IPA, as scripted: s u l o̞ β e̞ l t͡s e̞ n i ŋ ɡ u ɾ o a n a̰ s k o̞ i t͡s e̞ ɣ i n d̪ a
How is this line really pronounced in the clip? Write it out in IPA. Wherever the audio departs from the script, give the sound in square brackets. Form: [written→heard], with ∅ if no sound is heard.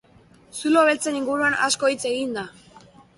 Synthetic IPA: s u l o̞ β e̞ l t͡s e̞ n i ŋ ɡ u ɾ [o→u] a n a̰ s k o̞ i t͡s e̞ ɣ i n d̪ a